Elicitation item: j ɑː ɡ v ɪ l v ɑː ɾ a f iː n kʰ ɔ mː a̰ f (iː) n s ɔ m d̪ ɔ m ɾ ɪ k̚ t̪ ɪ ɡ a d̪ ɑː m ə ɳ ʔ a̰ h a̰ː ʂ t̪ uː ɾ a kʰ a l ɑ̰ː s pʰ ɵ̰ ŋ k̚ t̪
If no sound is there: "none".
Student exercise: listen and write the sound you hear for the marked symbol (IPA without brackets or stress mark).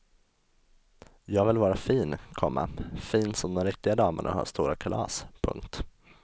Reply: iː